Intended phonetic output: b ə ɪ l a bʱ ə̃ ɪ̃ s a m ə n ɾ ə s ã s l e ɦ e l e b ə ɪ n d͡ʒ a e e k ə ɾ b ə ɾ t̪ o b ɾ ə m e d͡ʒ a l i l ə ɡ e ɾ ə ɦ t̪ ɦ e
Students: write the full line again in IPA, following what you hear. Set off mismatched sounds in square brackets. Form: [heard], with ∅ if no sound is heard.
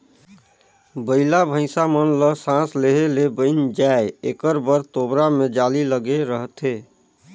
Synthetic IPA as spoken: b ə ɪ l a bʱ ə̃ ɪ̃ s a m ə n [l] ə s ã s l e ɦ e l e b ə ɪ n d͡ʒ a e e k ə ɾ b ə ɾ t̪ o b ɾ [a] m e d͡ʒ a l i l ə ɡ e ɾ ə ɦ t̪ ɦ e